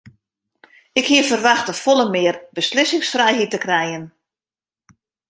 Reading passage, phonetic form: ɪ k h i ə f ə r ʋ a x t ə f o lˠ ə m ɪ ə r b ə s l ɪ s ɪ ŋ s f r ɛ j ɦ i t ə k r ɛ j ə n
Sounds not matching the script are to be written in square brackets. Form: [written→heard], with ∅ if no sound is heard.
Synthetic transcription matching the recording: ɪ k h i ə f ə r ʋ a x t ə f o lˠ ə m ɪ ə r b ə s l ɪ s ɪ ŋ s f r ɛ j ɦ i t ə k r ɛ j ə n